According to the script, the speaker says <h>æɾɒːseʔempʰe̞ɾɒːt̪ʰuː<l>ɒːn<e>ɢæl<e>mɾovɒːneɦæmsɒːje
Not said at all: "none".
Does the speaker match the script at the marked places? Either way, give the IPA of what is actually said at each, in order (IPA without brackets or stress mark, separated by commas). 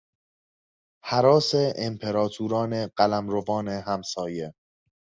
h, ɾ, e, æ